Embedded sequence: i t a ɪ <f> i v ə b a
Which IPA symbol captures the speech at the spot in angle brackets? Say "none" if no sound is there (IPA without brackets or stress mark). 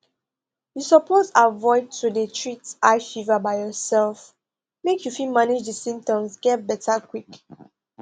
f